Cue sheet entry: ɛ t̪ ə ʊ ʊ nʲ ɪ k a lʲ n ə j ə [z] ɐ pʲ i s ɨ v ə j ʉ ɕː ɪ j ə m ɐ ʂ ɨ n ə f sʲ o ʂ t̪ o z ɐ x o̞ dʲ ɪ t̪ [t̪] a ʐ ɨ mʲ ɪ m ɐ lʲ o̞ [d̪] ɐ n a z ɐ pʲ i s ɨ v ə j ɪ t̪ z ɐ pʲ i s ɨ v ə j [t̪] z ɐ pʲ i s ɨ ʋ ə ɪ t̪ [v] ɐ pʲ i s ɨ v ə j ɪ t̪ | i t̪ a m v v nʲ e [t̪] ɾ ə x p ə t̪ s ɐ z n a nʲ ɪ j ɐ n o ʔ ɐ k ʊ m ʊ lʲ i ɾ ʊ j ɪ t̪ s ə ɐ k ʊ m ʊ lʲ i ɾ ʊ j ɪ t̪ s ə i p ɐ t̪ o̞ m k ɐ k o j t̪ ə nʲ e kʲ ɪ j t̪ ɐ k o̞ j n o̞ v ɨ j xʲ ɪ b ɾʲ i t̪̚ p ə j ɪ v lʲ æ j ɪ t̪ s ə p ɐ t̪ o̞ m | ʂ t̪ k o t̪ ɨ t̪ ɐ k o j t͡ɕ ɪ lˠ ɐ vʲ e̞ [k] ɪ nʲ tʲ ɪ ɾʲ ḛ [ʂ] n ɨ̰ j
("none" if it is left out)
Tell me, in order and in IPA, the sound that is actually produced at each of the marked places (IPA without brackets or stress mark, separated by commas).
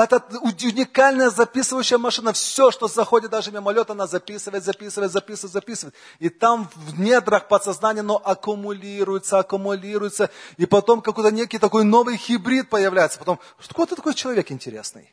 z, d̪, t̪, t̪, z, d̪, k, s